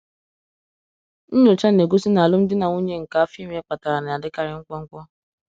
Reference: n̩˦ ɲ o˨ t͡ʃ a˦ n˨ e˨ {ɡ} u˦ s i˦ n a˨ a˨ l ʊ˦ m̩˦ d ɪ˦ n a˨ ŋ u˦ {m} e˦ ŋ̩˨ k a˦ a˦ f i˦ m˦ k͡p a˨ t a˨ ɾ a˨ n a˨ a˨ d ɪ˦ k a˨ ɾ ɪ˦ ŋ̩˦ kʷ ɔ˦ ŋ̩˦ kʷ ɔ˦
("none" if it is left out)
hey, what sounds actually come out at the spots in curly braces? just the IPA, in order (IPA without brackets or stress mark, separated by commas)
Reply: ɡ, ɲ